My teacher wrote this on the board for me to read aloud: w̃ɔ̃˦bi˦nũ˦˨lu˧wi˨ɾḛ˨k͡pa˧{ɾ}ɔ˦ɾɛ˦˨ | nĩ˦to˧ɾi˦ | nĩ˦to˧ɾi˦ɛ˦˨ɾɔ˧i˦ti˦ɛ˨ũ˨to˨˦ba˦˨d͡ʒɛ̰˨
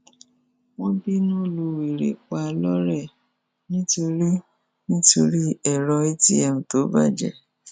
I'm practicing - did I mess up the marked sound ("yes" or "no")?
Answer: yes